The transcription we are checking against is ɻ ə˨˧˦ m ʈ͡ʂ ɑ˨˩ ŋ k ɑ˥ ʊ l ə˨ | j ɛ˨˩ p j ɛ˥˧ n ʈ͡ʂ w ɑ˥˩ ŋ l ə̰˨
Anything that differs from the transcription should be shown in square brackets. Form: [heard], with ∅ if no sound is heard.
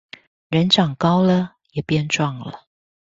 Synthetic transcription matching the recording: ɻ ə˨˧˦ [n] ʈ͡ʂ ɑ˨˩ ŋ k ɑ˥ ʊ l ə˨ | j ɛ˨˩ p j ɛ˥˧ n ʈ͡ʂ w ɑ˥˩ ŋ l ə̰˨